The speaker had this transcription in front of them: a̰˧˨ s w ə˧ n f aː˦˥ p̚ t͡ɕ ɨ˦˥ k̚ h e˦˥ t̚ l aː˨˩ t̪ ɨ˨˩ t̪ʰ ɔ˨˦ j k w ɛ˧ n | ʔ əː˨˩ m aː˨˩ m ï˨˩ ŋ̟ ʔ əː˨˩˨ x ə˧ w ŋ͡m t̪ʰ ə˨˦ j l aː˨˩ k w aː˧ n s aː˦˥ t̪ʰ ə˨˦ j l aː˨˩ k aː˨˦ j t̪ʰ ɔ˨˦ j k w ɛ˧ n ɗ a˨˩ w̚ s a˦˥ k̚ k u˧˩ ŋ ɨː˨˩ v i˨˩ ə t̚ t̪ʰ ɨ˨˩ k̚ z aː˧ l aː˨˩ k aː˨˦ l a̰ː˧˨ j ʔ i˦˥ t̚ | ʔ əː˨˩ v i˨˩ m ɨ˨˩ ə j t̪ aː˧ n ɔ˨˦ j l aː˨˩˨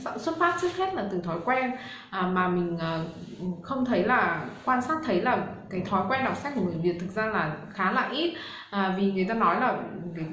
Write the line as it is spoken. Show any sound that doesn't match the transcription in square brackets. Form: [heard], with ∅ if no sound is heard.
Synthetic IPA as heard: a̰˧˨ s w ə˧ n f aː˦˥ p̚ t͡ɕ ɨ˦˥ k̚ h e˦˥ t̚ l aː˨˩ t̪ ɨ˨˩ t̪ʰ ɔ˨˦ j k w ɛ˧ n | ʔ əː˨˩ m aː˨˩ m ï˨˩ ŋ̟ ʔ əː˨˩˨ x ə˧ w ŋ͡m t̪ʰ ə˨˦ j l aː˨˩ k w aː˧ n s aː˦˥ t̪ʰ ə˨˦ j l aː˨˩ k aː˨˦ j t̪ʰ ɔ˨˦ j k w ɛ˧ n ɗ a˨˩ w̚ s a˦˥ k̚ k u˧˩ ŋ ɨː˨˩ v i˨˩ ə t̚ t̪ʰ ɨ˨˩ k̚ z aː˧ l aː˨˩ [x] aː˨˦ l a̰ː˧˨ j ʔ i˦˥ t̚ | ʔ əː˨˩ v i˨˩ [ŋ] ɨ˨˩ ə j t̪ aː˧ n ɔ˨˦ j l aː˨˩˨

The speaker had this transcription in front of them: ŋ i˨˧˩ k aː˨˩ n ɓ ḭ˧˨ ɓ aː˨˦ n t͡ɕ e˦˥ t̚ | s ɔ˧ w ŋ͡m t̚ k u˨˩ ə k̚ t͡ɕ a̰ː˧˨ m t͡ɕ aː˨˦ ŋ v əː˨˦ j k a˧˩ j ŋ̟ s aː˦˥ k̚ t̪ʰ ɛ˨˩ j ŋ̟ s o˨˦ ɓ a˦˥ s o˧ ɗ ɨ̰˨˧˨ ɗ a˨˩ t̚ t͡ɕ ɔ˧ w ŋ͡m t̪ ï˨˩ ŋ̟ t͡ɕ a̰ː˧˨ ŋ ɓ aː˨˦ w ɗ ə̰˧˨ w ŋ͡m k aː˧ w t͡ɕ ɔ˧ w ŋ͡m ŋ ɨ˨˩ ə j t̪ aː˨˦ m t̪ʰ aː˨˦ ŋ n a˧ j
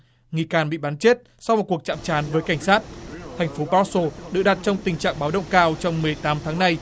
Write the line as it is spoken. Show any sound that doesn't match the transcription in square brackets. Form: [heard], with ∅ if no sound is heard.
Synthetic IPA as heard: ŋ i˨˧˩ k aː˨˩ n ɓ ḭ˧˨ ɓ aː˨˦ n t͡ɕ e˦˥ t̚ | s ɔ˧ w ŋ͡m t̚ k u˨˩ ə k̚ t͡ɕ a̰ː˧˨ m t͡ɕ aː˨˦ [n] v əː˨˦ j k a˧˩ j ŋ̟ s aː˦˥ [t̚] t̪ʰ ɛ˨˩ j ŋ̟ [f] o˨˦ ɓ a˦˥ s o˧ ɗ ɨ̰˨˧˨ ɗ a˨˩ t̚ t͡ɕ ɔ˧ w ŋ͡m t̪ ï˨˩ ŋ̟ t͡ɕ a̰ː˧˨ ŋ ɓ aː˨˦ w ɗ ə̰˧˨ w ŋ͡m k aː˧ w t͡ɕ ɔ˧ w ŋ͡m [m] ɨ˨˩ ə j t̪ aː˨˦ m t̪ʰ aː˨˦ ŋ n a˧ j

